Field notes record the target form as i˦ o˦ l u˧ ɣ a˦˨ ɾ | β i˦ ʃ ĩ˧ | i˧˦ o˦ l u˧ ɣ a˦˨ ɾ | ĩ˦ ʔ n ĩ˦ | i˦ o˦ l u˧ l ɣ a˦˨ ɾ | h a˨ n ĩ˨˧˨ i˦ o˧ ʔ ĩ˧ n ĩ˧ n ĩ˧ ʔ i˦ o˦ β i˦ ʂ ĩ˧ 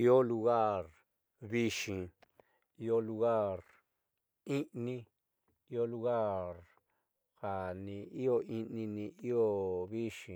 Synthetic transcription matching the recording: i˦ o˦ l u˧ ɣ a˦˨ ɾ | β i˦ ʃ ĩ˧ | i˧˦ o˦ l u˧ ɣ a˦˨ ɾ | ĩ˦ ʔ n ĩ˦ | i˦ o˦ l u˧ ɣ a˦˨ ɾ | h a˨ n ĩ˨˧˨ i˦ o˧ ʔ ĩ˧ n ĩ˧ n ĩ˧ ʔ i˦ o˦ β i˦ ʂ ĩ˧

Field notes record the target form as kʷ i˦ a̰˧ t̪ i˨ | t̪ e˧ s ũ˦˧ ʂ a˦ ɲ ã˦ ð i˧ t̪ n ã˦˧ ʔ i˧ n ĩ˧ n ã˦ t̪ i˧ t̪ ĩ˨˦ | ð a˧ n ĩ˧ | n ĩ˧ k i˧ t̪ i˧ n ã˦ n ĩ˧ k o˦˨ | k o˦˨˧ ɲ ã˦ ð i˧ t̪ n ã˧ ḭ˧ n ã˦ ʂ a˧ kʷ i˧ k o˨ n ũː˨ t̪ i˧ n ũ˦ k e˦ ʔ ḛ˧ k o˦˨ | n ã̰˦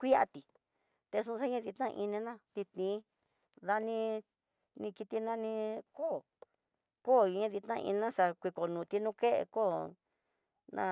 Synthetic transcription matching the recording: kʷ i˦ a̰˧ t̪ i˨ | t̪ e˧ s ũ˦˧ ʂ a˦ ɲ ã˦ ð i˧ t̪ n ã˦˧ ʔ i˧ n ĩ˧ n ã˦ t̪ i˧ t̪ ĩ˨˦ | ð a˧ n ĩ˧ | n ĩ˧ k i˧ t̪ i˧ n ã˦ n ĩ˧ k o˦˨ | k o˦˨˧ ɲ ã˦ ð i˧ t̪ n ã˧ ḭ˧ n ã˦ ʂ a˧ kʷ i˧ k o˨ n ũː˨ t̪ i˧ n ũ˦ k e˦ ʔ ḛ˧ k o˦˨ | n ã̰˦

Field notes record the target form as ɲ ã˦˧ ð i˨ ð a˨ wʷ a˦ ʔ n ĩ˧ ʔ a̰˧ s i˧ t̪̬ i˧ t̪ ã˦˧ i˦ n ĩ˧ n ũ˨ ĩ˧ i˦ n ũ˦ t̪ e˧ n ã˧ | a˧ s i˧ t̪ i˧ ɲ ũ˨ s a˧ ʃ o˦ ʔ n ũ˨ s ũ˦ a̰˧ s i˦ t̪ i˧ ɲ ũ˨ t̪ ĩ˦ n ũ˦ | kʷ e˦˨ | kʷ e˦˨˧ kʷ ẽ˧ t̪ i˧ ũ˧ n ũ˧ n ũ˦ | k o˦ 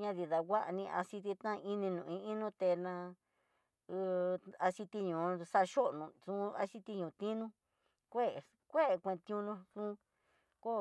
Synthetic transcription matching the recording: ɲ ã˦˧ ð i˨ ð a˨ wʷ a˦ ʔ n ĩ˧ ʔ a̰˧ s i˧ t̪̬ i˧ t̪ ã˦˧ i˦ n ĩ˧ n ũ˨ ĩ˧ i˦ n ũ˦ t̪ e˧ n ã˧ | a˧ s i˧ t̪ i˧ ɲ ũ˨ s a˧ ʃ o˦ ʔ n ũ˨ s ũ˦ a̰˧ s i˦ t̪ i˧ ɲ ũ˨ t̪ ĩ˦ n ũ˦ | kʷ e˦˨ | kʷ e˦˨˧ kʷ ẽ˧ t̪ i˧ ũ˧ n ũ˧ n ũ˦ | k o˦

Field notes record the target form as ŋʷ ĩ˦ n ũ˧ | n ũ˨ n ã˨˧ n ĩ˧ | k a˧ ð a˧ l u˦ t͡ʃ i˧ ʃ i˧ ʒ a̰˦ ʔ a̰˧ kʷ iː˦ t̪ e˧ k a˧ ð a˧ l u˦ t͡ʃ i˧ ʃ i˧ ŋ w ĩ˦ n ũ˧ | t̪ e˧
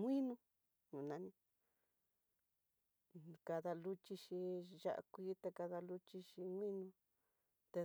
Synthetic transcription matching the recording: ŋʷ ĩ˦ n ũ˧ | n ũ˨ n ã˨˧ n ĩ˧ | k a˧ ð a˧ l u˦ t͡ʃ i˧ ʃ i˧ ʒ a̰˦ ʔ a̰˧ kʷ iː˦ t̪ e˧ k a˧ ð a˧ l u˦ t͡ʃ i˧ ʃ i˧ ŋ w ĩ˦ n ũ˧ | t̪ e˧

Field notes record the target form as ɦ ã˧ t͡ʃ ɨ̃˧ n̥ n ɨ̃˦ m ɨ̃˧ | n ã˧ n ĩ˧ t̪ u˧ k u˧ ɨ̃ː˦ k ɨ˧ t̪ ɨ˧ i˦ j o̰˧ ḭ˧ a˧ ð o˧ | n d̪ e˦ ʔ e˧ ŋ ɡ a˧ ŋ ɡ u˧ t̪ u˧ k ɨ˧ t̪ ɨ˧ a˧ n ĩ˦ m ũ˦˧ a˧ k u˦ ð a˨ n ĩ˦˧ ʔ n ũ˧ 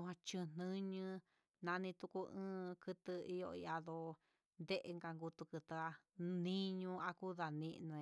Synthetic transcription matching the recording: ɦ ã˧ t͡ʃ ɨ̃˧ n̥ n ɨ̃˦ ɲ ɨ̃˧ | n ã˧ n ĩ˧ t̪ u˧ k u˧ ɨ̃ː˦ k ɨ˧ t̪ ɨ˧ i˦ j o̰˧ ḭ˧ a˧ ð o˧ | n d̪ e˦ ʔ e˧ ŋ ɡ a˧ ŋ ɡ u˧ t̪ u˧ k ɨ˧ t̪ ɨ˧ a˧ n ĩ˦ ɲ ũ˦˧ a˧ k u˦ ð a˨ n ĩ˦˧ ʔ n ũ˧

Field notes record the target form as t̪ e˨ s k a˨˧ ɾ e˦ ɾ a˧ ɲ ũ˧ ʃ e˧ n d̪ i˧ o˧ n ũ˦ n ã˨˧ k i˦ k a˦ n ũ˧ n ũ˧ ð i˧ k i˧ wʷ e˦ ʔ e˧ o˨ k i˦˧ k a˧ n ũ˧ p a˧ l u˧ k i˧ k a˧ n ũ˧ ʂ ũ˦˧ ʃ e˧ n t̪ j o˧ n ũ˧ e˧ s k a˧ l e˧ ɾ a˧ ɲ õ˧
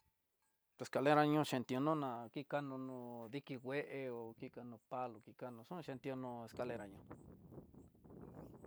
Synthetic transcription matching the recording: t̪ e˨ s k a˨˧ l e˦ ɾ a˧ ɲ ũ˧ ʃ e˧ n t̪ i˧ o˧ n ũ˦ n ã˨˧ k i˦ k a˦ n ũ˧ n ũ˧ ð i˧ k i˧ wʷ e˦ ʔ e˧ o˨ k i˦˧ k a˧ n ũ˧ p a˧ l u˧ k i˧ k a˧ n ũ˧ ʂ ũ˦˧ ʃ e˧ n t̪ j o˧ n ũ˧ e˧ s k a˧ l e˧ ɾ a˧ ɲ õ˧

